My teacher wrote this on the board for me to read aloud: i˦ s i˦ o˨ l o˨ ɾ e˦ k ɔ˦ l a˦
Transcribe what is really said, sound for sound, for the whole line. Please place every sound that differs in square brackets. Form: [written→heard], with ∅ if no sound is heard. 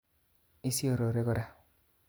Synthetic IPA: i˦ s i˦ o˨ [l→ɾ] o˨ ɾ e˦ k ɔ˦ [l→ɾ] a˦